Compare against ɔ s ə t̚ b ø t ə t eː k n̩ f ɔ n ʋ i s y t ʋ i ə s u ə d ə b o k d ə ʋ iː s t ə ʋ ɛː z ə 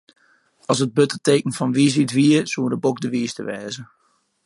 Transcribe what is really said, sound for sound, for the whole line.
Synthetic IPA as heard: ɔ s ə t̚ b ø t ə t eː k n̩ f ɔ n ʋ i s i t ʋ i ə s u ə d ə b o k d ə ʋ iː s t ə ʋ ɛː z ə